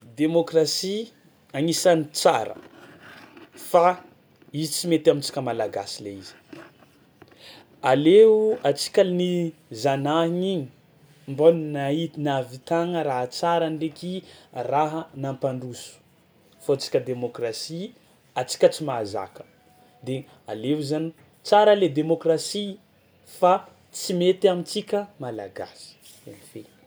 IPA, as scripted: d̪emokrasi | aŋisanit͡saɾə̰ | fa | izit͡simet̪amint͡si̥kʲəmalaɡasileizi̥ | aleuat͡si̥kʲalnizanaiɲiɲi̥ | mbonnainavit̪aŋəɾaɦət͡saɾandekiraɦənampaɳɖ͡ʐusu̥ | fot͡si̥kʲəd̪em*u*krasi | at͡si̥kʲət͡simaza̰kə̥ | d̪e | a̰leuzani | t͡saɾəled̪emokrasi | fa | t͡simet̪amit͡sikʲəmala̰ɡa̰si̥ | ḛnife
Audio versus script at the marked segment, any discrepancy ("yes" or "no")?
yes